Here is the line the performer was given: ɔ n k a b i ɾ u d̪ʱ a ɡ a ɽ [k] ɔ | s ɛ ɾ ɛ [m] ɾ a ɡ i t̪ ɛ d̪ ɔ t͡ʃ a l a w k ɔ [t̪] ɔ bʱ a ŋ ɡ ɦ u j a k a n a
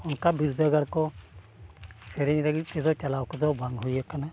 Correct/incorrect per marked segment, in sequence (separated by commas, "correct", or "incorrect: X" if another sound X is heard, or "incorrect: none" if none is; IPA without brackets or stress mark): correct, incorrect: ɲ, incorrect: d̪